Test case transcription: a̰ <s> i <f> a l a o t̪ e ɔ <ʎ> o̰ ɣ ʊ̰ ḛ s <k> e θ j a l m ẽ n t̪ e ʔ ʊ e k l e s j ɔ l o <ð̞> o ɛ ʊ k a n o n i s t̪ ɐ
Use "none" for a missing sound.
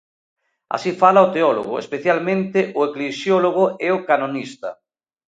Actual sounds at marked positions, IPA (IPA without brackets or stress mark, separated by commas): s, f, l, p, ɣ̞